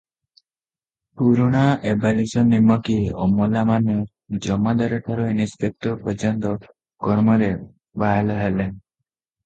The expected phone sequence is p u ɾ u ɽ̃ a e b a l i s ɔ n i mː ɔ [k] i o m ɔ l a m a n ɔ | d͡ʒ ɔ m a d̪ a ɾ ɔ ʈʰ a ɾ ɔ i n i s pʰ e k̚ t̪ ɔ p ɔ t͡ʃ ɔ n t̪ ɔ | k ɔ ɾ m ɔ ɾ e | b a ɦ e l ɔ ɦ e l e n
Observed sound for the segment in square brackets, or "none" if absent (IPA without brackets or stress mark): k